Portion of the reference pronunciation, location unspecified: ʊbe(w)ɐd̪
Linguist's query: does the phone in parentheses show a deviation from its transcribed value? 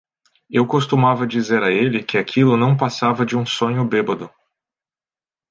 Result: yes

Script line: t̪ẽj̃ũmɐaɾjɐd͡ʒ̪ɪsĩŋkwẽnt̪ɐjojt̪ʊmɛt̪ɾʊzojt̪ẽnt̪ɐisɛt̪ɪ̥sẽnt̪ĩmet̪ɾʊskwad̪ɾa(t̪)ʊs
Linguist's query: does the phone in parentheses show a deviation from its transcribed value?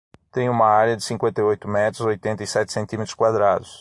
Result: yes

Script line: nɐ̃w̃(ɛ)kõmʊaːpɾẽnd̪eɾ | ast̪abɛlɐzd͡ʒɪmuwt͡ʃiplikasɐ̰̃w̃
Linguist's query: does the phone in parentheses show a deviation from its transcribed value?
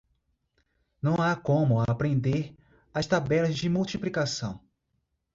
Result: yes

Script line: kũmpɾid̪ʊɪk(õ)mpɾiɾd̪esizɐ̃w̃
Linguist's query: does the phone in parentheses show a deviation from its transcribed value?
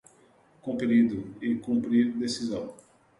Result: yes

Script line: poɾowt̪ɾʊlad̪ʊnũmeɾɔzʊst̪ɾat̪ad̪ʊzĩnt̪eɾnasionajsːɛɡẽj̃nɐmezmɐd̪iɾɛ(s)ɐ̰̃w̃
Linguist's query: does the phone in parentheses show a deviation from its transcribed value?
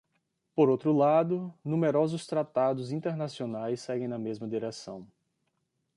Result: no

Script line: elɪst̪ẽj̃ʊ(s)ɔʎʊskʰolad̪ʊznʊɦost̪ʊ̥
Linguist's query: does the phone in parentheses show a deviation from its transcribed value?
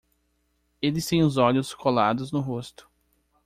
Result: yes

